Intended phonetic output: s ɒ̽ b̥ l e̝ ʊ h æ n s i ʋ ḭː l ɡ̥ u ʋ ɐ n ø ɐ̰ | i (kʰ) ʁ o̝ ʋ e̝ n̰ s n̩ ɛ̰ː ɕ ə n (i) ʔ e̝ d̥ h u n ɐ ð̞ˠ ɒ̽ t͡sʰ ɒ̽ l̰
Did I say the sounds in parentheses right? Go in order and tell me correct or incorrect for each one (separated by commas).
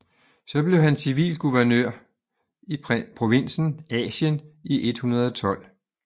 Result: incorrect, correct